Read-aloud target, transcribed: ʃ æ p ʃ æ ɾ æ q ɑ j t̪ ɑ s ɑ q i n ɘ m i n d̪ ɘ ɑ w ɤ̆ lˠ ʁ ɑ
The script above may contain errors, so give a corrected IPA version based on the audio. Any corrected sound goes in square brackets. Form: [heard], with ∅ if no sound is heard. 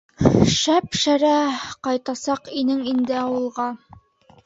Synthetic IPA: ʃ æ p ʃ æ ɾ æ q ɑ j t̪ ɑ s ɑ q i n ɘ [ŋ] i n d̪ ɘ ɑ w ɤ̆ lˠ ʁ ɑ

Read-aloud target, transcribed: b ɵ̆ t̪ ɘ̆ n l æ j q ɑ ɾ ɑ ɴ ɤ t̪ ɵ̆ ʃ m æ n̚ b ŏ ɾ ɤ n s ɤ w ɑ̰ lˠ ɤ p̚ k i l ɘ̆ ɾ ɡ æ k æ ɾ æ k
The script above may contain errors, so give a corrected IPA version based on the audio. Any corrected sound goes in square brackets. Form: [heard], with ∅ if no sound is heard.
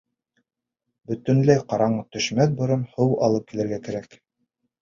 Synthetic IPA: b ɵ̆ t̪ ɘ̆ n l æ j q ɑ ɾ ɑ ɴ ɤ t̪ ɵ̆ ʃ m æ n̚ b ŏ ɾ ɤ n [h] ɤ w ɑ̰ lˠ ɤ p̚ k i l ɘ̆ ɾ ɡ æ k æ ɾ æ k

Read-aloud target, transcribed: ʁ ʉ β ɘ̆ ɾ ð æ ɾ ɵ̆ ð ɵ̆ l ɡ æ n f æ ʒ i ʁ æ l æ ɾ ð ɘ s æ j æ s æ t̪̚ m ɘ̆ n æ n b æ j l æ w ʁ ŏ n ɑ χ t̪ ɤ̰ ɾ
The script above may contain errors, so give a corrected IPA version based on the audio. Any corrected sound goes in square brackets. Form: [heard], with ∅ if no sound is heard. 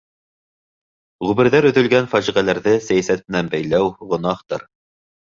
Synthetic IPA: ʁ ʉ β ɘ̆ ɾ ð æ ɾ ɵ̆ ð ɵ̆ l ɡ æ n f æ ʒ i ʁ æ l æ ɾ ð ɘ s æ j æ s æ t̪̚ m ɘ̆ n æ n b æ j l æ w ʁ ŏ n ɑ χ t̪ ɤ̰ ɾ

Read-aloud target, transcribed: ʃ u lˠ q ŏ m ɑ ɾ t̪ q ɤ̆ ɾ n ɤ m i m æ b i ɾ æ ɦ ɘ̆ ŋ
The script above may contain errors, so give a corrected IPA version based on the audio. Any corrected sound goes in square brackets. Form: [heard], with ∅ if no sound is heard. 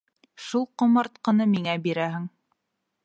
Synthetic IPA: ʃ u lˠ q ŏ m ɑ ɾ t̪ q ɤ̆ [∅] n ɤ m i [ŋ] æ b i ɾ æ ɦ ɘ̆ ŋ

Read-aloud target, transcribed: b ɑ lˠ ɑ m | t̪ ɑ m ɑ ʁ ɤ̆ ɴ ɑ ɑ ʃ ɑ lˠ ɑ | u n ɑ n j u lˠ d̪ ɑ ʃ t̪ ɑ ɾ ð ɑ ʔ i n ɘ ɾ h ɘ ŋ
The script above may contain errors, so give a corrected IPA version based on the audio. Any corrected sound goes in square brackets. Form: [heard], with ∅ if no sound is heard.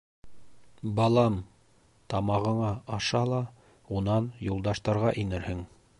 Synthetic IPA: b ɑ lˠ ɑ m | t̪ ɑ m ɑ ʁ ɤ̆ ɴ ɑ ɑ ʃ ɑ lˠ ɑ | u n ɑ n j u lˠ d̪ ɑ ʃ t̪ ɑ ɾ [ʁ] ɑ ʔ i n ɘ ɾ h ɘ ŋ

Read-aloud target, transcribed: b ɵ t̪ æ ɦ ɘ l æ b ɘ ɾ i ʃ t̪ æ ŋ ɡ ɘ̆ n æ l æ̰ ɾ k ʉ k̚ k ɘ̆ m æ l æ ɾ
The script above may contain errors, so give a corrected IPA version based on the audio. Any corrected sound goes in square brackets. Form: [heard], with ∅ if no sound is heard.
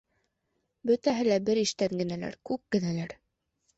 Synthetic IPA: b ɵ t̪ æ ɦ ɘ l æ b ɘ ɾ i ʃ t̪ æ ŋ ɡ ɘ̆ n æ l æ̰ ɾ k ʉ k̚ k ɘ̆ [n] æ l æ ɾ

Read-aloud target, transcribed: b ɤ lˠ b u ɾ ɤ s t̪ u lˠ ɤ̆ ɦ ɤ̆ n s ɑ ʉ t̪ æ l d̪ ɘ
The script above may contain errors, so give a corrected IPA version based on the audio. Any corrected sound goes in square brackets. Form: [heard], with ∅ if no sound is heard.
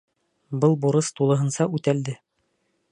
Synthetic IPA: b ɤ lˠ b u ɾ ɤ s t̪ u lˠ ɤ̆ ɦ ɤ̆ n s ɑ ʉ t̪ æ l d̪ ɘ

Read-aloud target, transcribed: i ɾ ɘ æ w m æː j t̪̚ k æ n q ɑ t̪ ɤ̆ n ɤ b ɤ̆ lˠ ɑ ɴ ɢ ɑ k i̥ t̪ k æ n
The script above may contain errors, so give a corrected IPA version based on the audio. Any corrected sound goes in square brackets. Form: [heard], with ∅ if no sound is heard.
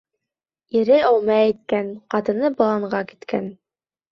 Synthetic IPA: i ɾ ɘ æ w m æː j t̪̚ k æ n q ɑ t̪ ɤ̆ n ɤ b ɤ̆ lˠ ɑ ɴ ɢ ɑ k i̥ t̪ k æ n

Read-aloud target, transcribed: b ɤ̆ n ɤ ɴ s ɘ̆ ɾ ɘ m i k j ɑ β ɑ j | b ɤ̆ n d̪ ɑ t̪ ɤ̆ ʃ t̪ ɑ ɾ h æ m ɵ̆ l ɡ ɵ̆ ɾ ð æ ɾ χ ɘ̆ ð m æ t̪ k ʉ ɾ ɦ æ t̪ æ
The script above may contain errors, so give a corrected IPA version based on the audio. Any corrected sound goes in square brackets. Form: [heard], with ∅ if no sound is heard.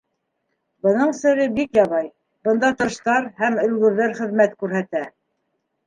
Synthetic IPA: b ɤ̆ n ɤ ɴ s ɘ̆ ɾ ɘ [b] i k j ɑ β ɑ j | b ɤ̆ n d̪ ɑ t̪ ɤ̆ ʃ t̪ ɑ ɾ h æ m ɵ̆ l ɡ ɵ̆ ɾ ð æ ɾ χ ɘ̆ ð m æ t̪ k ʉ ɾ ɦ æ t̪ æ

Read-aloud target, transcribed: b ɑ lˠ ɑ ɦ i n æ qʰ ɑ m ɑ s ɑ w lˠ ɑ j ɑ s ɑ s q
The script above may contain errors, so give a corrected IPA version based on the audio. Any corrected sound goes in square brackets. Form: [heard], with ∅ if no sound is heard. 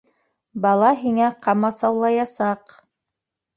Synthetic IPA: b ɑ lˠ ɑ ɦ i [ŋ] æ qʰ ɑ m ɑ s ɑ w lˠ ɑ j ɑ s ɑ [∅] q

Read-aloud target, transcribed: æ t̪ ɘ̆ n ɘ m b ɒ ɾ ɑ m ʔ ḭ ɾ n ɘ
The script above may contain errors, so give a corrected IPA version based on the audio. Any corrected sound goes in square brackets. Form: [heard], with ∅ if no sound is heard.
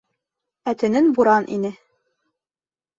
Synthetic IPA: æ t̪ ɘ̆ n ɘ [n] b [u] ɾ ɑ [n] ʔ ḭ [∅] n ɘ

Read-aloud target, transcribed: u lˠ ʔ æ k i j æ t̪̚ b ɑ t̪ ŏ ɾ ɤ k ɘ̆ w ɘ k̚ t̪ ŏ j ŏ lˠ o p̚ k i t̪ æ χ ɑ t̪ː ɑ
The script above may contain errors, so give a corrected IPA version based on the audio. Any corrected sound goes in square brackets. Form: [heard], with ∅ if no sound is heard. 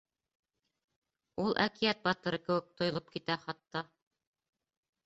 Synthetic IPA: u lˠ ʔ æ k i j æ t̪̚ b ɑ t̪ [ɤ̆] ɾ ɤ k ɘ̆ w ɘ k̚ t̪ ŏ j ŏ lˠ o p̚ k i t̪ æ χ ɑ t̪ː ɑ

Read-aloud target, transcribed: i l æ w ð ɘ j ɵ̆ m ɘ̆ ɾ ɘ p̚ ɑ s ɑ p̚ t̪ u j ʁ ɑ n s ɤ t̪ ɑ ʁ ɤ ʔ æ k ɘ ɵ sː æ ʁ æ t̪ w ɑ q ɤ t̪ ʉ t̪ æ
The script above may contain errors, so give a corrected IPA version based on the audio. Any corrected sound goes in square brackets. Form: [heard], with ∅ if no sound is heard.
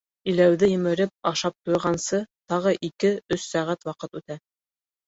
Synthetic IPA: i l æ w ð ɘ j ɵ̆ m ɘ̆ ɾ ɘ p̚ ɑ [ʃ] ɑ p̚ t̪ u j ʁ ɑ n s ɤ t̪ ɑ ʁ ɤ ʔ [i] k ɘ ɵ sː æ ʁ æ t̪ w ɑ q ɤ t̪ ʉ t̪ æ

